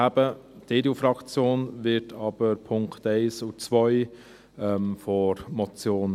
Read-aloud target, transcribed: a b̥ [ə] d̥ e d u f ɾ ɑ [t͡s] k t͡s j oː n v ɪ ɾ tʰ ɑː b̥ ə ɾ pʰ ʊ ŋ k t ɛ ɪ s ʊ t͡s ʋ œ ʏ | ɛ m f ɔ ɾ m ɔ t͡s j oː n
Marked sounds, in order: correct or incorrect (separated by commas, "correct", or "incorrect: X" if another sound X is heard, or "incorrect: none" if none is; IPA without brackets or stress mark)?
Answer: correct, incorrect: none